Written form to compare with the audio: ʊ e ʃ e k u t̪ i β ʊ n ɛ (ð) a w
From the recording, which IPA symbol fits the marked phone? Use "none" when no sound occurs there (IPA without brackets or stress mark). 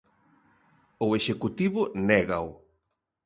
ɣ